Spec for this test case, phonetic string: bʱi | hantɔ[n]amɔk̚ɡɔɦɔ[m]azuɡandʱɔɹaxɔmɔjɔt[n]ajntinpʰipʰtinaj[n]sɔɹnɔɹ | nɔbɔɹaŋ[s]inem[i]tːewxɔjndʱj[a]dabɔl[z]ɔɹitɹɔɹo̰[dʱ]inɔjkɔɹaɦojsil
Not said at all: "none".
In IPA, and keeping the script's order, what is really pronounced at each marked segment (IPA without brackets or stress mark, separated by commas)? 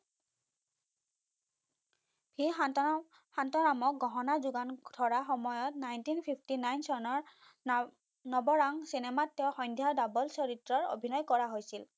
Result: n, n, n, n, s, a, a, s, bʱ